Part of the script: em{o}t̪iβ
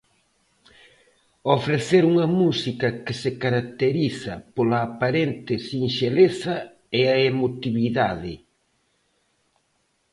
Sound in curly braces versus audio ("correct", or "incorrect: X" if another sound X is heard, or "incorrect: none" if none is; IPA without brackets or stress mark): correct